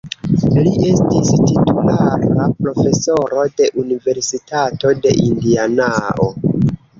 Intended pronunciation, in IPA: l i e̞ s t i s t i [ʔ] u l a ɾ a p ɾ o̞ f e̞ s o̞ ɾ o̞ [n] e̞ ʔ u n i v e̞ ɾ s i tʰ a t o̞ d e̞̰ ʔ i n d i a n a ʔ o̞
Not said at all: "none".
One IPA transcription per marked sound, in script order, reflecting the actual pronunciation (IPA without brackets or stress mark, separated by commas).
t, d